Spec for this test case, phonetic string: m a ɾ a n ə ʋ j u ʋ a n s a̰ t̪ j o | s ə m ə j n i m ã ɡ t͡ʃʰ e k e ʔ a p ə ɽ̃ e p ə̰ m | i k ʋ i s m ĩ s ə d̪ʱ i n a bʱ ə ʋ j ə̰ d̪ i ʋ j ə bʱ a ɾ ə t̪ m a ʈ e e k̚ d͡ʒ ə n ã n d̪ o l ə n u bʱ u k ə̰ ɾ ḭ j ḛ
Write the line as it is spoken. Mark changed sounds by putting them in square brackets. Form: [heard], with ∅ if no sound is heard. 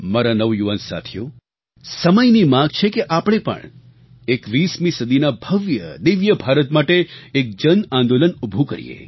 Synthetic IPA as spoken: m a ɾ a n ə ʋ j u ʋ a n s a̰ [t̪ʰ] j o | s ə m ə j n i m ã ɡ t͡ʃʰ e k e ʔ a p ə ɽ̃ e p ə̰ [ɳ] | [e] k ʋ i s m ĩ s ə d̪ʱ i n a bʱ ə ʋ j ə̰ d̪ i ʋ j ə bʱ a ɾ ə t̪ m a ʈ e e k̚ d͡ʒ ə n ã n d̪ o l ə n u bʱ u k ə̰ ɾ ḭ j ḛ